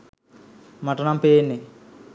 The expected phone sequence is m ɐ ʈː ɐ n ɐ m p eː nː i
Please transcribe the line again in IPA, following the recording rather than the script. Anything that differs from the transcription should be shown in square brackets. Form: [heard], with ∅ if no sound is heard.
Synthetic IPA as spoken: m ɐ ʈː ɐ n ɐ m p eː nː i